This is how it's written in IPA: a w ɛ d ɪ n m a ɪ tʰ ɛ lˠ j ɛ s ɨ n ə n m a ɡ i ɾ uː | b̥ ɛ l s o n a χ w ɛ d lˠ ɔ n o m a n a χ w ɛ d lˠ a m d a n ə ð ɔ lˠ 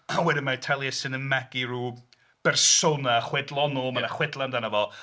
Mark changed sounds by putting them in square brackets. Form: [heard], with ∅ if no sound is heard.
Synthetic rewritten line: a w ɛ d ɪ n m a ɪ tʰ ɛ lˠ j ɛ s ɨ n ə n m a ɡ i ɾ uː | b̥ ɛ [r] s o n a χ w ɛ d lˠ ɔ n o m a n a χ w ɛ d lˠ a [n] d a n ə [v] ɔ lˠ

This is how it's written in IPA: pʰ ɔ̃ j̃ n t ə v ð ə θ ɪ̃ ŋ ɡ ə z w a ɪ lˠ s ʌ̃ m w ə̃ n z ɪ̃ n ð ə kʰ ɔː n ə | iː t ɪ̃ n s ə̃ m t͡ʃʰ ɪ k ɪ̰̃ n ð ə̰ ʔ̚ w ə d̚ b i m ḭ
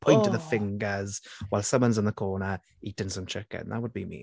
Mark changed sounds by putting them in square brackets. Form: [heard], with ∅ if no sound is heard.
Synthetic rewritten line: pʰ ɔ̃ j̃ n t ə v ð ə [f] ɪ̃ ŋ ɡ ə z w a ɪ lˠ s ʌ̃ m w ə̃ n z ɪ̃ n ð ə kʰ ɔː n ə | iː t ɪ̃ n s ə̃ m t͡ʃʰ ɪ k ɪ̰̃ n ð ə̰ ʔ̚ w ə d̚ b i m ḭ

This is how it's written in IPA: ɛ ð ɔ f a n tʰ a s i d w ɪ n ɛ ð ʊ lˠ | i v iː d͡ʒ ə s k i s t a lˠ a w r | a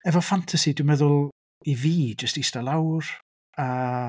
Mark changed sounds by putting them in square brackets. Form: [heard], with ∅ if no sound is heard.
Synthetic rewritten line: ɛ [v] ɔ f a n tʰ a s i d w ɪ [m] ɛ ð ʊ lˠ | i v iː d͡ʒ ə s [t] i s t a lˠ a w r | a

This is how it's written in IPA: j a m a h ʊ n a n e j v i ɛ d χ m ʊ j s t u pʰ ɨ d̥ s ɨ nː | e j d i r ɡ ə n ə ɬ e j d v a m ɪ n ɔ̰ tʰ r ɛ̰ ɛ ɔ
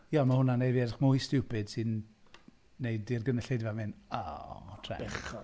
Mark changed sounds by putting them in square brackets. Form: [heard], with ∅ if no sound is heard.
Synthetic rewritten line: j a m a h ʊ n a n e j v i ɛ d χ m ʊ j s t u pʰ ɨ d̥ s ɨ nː | e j d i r ɡ ə n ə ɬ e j d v a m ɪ n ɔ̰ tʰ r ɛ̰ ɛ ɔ

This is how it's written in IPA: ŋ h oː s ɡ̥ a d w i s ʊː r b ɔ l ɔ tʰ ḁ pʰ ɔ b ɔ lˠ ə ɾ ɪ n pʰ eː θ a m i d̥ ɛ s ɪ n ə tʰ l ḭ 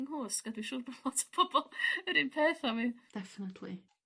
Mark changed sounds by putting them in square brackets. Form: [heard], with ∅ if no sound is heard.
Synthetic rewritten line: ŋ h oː s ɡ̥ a d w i [ʃ] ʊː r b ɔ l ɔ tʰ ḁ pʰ ɔ b ɔ lˠ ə ɾ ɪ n pʰ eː θ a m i d̥ ɛ [f] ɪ n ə tʰ l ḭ

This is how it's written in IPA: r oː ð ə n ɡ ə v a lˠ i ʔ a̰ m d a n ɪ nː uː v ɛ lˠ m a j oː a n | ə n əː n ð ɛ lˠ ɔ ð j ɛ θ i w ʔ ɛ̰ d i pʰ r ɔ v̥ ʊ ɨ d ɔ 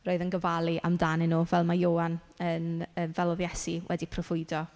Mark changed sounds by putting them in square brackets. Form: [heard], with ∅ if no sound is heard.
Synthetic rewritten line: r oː ð ə n ɡ ə v a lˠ i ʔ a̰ m d a n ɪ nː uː v ɛ lˠ m a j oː a n | ə n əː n [v] ɛ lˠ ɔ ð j ɛ [s] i w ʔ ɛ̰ d i pʰ r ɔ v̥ ʊ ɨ d ɔ

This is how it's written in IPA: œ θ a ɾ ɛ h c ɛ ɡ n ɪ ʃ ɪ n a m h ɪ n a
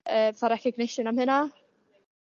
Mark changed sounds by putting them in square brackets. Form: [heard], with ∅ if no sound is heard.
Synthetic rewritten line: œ θ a ɾ ɛ h c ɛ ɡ n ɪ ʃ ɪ n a m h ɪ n a

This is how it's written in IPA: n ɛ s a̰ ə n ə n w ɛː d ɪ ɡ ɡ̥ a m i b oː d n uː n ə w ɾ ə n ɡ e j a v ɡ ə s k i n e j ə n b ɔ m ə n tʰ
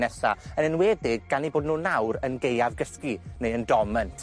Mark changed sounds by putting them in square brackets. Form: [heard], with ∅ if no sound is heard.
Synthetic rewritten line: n ɛ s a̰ ə n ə n w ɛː d ɪ ɡ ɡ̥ a [n] i b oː d n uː n [a] w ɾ ə n ɡ e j a v ɡ ə s k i n e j ə n [d] ɔ m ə n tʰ

